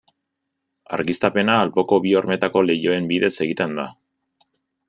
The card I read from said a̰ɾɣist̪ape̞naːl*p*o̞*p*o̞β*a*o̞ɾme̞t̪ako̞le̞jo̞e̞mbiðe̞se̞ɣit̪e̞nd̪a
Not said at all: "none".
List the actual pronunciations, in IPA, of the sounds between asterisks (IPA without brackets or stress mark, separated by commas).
p, k, i